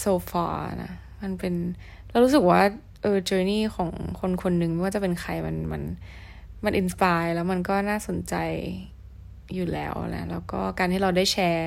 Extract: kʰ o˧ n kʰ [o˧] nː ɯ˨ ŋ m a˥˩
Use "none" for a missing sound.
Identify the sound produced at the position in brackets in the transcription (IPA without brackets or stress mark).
o˧